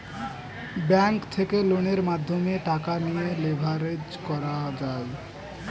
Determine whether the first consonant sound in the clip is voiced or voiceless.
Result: voiced